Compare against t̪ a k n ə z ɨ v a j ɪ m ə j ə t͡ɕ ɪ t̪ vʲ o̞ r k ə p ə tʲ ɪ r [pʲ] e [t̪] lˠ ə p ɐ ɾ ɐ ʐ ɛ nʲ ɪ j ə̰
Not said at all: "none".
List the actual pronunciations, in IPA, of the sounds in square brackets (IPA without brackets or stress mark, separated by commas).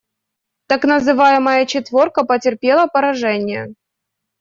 pʲ, none